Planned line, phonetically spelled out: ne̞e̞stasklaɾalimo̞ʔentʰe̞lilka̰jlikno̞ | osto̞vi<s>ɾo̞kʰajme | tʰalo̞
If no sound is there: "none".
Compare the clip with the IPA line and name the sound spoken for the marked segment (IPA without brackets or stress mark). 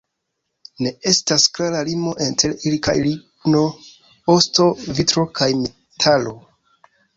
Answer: t